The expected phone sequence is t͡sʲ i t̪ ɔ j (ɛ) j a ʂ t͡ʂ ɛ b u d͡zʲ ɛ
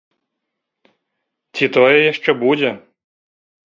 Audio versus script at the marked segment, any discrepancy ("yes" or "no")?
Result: no